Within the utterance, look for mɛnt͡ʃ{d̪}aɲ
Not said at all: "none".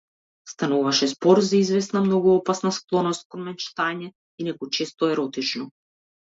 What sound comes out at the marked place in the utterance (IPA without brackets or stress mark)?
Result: t̪